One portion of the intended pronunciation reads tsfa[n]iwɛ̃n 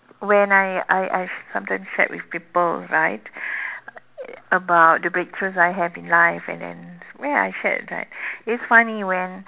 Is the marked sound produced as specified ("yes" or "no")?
yes